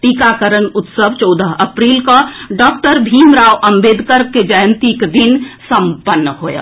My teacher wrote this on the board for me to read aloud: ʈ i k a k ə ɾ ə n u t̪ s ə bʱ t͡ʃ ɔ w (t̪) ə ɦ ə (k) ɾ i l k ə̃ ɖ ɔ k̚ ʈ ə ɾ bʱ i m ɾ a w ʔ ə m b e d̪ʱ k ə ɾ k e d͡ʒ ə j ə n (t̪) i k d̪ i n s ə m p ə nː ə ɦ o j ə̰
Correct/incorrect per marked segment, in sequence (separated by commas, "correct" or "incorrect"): incorrect, incorrect, correct